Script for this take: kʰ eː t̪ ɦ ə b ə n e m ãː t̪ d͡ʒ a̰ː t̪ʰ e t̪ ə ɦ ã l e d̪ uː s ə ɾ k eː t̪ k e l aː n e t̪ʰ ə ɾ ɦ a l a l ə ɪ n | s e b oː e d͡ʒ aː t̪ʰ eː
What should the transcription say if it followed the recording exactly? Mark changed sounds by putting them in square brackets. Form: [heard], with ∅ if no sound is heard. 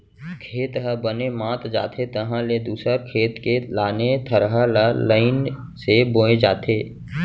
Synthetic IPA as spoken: kʰ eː t̪ ɦ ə b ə n e m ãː t̪ d͡ʒ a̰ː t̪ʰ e t̪ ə ɦ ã l e d̪ uː s ə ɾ [kʰ] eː t̪ k e l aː n e t̪ʰ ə ɾ ɦ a l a l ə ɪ n | s e b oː e d͡ʒ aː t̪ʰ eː